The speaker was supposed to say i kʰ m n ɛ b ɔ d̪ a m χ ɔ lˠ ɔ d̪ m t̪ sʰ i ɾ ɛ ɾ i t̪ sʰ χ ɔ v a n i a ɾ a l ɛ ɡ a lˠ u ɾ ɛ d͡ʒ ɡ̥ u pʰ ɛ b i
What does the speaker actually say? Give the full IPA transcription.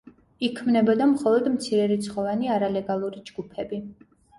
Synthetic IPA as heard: i kʰ m n ɛ b ɔ d̪ a m χ ɔ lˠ ɔ d̪ m t̪ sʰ i ɾ ɛ ɾ i t̪ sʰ χ ɔ v a n i a ɾ a l ɛ ɡ a lˠ u ɾ i d͡ʒ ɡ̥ u pʰ ɛ b i